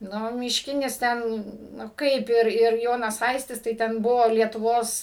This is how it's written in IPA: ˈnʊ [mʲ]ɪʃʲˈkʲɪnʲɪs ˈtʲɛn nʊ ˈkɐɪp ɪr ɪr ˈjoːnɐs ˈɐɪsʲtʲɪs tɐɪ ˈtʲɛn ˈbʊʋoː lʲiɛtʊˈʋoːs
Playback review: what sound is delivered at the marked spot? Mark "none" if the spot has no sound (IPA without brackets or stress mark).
mʲ